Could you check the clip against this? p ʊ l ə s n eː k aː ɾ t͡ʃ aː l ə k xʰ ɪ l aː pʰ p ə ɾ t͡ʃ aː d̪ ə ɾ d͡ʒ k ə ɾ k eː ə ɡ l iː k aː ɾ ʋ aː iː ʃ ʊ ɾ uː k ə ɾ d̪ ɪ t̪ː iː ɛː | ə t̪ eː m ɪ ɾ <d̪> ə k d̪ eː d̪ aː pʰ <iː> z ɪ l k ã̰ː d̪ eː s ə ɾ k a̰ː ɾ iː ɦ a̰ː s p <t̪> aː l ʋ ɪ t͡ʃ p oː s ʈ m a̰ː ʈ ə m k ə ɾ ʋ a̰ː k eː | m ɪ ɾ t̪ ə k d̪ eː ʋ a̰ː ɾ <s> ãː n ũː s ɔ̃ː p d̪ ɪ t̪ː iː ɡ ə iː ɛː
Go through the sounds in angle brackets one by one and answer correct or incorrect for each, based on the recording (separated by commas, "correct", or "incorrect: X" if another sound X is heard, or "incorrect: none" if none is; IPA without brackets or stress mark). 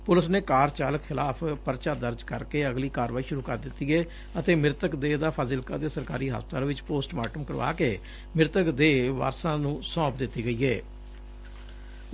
incorrect: t̪, incorrect: aː, correct, correct